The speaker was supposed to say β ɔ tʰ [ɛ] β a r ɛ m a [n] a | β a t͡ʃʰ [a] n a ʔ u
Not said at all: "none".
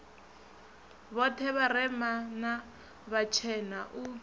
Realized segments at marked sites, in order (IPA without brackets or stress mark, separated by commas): ɛ, n, ɛ